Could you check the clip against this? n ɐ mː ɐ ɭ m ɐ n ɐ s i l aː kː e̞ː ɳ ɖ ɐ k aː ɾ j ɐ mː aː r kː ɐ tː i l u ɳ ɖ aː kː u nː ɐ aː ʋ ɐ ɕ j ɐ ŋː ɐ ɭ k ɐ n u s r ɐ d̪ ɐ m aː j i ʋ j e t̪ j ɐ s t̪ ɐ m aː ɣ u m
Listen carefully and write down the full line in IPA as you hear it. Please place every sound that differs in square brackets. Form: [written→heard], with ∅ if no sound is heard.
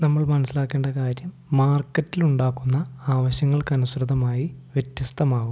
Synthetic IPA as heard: n ɐ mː ɐ ɭ m ɐ n ɐ s i l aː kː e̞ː ɳ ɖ ɐ k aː ɾ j ɐ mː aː r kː ɐ tː i l u ɳ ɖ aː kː u nː ɐ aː ʋ ɐ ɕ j ɐ ŋː ɐ ɭ k ɐ n u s r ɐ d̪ ɐ m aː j i ʋ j e t̪ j ɐ s t̪ ɐ m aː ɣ u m